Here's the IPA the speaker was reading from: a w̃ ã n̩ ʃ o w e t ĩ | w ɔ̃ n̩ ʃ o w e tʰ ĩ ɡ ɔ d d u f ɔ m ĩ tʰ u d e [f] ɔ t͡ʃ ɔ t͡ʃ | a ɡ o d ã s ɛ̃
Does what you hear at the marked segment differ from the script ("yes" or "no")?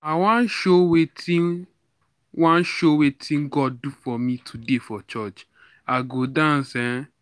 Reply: no